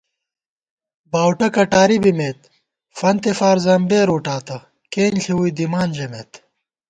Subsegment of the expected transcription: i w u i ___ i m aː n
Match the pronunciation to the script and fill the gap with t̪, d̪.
d̪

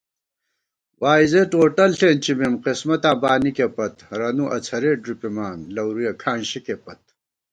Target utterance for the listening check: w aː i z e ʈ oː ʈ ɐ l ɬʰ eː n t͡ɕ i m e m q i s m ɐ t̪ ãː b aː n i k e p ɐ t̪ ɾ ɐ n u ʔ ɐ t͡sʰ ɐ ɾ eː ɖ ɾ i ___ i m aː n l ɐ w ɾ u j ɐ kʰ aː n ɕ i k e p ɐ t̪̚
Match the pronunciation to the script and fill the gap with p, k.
p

